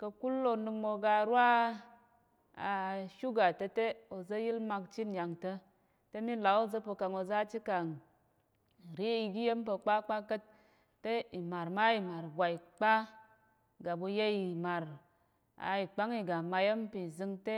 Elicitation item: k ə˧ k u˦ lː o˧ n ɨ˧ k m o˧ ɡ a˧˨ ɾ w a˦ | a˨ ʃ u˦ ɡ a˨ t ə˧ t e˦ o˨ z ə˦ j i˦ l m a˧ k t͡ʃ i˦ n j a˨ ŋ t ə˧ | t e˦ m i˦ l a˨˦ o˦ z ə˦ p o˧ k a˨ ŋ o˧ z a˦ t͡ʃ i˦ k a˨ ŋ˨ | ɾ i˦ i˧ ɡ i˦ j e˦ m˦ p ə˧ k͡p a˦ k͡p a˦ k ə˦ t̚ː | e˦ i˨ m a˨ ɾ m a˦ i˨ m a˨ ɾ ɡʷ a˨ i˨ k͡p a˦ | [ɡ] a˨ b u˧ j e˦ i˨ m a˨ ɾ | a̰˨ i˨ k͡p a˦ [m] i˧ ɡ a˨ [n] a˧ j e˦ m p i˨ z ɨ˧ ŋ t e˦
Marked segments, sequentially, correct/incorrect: correct, incorrect, incorrect

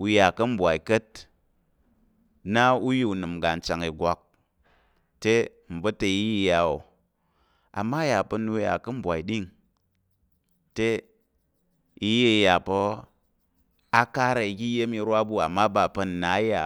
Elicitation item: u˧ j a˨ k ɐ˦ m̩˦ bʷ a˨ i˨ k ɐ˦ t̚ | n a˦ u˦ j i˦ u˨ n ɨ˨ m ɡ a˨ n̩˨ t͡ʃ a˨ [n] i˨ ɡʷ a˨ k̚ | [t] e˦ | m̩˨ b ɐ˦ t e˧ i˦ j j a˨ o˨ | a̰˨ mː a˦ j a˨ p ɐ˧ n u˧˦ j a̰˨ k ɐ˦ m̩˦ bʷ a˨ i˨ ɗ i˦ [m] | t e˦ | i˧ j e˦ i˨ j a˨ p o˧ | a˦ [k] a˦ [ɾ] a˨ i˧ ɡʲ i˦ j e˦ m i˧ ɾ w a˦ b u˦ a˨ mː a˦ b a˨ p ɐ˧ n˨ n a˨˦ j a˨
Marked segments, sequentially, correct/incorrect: incorrect, correct, incorrect, correct, correct

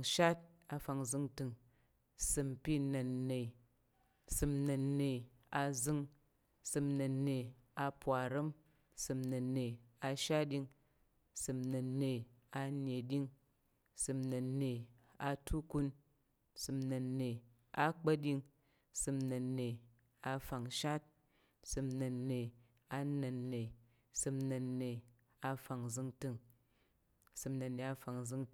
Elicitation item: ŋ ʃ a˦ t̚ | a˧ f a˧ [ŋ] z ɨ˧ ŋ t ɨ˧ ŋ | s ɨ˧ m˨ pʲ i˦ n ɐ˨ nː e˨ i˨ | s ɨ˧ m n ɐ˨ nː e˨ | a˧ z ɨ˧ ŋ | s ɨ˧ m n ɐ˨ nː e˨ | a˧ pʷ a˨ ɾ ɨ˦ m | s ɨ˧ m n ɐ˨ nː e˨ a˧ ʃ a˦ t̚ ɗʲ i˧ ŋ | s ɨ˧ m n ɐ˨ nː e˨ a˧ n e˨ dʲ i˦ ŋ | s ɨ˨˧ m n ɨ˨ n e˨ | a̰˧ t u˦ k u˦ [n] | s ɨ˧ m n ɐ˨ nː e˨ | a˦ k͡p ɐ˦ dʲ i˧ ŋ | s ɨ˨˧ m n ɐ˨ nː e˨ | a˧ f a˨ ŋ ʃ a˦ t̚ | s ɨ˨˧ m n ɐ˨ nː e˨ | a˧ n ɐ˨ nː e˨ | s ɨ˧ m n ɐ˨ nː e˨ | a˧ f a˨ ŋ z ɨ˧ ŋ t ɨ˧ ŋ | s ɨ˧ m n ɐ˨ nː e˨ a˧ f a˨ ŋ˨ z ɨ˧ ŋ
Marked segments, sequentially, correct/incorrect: correct, correct

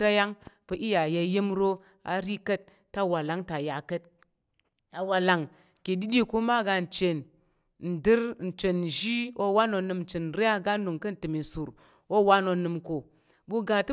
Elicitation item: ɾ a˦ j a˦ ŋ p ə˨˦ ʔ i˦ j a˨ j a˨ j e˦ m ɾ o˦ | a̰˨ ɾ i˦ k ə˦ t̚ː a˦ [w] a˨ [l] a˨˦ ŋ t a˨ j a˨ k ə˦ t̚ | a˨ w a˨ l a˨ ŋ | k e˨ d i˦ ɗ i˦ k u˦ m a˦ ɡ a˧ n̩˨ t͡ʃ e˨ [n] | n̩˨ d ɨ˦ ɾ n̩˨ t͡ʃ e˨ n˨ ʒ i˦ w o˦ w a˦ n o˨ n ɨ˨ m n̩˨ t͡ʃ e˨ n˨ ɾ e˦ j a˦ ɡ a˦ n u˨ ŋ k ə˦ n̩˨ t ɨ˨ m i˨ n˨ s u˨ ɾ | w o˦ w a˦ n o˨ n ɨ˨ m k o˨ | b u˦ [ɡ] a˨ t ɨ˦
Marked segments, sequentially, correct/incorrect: correct, correct, correct, correct

